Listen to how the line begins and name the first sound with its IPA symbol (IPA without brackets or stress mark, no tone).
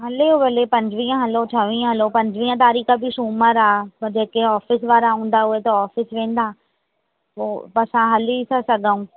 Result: ɦ